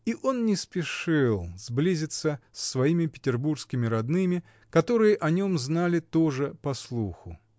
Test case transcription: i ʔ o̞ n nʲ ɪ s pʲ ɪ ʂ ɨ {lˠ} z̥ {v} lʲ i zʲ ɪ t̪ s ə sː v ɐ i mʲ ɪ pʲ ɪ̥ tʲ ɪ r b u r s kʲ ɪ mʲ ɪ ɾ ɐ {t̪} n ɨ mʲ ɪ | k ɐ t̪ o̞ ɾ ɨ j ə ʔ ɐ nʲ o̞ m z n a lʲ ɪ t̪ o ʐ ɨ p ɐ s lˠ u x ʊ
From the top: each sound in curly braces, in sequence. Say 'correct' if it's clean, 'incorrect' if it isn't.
correct, incorrect: b, incorrect: d̪

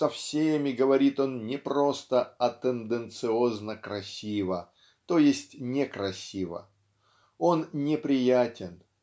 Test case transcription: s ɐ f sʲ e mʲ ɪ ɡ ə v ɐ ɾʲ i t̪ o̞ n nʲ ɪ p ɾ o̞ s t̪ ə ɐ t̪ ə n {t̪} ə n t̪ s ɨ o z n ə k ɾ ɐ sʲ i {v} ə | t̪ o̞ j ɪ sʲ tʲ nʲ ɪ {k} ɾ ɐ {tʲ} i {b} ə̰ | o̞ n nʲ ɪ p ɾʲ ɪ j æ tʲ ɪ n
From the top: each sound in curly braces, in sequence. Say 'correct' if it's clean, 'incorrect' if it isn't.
incorrect: d̪, correct, correct, incorrect: sʲ, incorrect: v

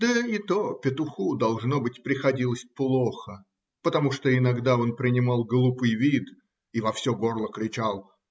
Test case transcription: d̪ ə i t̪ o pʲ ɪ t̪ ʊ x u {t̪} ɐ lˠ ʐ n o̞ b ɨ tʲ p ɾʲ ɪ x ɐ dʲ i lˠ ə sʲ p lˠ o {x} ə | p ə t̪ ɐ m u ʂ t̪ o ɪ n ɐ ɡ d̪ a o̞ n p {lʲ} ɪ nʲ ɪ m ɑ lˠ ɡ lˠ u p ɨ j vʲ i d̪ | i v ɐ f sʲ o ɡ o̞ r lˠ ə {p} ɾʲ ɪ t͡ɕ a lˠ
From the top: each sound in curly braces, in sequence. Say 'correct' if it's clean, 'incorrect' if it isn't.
incorrect: d̪, correct, incorrect: ɾʲ, incorrect: k

